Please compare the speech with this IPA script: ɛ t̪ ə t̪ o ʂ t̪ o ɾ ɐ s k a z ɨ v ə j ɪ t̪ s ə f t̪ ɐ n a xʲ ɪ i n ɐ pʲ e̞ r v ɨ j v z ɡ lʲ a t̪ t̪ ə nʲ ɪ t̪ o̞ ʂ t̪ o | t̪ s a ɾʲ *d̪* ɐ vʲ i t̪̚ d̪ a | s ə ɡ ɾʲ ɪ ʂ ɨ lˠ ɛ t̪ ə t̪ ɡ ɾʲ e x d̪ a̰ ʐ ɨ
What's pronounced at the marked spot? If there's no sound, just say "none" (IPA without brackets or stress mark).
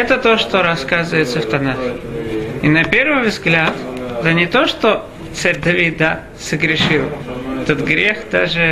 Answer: d̪